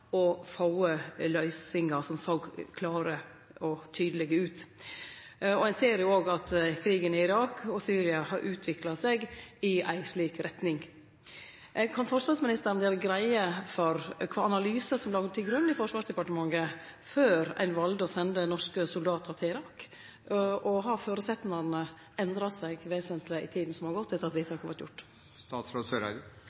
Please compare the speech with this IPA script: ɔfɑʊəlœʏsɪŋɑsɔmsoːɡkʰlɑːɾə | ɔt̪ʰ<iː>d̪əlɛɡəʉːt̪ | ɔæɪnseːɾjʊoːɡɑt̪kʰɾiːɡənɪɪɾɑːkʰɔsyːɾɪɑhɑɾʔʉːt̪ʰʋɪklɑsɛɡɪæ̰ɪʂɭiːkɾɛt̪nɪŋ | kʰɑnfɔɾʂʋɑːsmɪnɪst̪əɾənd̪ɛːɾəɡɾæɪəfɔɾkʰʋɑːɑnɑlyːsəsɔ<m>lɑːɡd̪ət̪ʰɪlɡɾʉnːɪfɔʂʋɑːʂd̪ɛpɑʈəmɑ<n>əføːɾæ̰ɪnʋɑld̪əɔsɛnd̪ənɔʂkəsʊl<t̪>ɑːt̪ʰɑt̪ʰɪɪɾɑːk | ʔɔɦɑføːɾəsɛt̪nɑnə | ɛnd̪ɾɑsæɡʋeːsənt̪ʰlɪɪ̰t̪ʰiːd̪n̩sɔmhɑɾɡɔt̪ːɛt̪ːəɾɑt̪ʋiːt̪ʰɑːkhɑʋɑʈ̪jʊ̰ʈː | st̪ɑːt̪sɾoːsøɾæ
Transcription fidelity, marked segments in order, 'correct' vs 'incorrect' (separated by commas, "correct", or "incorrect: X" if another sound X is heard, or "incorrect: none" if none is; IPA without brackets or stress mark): incorrect: yː, correct, incorrect: ŋ, incorrect: d̪